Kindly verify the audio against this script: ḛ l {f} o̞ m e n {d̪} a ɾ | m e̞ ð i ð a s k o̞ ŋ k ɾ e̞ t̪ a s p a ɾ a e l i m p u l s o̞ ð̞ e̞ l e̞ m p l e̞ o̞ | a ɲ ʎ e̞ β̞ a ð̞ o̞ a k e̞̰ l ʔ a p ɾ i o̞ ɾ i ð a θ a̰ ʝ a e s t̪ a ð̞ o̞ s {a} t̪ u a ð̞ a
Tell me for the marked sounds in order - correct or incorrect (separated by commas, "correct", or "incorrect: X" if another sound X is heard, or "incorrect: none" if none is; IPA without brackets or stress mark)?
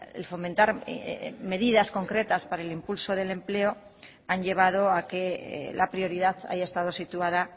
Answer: correct, incorrect: t̪, incorrect: i